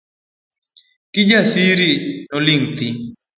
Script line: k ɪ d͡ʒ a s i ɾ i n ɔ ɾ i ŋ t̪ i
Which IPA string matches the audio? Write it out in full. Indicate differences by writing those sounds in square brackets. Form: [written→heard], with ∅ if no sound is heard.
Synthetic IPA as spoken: k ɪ d͡ʒ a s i ɾ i n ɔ [ɾ→l] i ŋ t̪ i